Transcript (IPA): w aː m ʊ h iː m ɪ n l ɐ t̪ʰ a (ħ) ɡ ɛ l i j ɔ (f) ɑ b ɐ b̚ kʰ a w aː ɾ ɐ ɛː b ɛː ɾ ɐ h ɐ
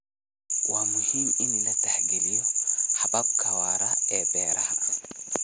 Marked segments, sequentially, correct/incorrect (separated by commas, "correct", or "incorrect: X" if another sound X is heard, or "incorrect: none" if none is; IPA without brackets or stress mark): correct, incorrect: ħ